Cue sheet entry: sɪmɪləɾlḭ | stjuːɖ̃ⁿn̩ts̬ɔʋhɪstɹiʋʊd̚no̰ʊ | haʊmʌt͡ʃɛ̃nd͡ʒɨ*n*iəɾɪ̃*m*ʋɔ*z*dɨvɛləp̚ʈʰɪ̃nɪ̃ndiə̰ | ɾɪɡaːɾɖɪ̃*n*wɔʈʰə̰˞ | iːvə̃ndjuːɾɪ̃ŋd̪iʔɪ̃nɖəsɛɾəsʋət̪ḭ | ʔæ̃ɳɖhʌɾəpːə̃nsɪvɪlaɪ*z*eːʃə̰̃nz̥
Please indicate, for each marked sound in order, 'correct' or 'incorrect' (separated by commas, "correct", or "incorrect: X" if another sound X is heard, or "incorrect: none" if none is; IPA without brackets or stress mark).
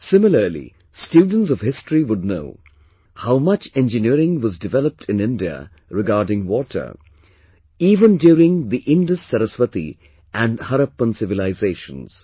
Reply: correct, incorrect: ŋ, correct, incorrect: ŋ, correct